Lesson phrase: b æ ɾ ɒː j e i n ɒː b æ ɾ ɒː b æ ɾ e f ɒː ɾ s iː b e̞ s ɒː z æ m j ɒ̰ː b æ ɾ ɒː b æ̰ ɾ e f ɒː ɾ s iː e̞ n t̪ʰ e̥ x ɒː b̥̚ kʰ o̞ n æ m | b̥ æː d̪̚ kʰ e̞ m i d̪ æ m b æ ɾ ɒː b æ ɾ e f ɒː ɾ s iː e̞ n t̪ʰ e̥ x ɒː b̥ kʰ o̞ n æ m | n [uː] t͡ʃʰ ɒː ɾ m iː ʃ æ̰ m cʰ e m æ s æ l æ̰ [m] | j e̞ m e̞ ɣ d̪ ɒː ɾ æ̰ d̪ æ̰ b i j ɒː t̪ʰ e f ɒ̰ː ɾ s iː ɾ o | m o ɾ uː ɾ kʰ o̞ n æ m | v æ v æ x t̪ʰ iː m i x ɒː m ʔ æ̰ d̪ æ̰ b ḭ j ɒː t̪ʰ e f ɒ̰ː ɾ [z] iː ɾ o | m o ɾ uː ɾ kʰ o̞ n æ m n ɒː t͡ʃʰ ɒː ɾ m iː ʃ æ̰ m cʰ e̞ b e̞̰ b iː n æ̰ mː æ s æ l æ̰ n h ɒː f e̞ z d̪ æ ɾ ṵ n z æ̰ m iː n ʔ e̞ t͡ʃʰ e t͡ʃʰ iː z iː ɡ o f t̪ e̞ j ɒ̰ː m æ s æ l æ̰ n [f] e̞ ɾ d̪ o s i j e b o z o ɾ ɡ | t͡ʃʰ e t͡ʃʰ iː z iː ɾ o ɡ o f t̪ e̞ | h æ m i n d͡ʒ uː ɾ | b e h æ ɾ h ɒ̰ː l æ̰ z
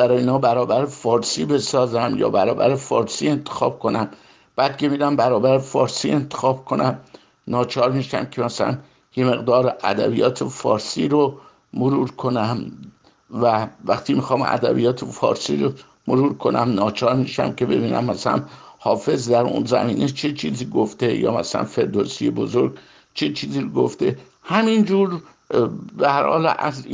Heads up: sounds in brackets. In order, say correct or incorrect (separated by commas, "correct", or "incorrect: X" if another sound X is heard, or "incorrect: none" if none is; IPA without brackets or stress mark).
incorrect: ɒː, incorrect: n, incorrect: s, correct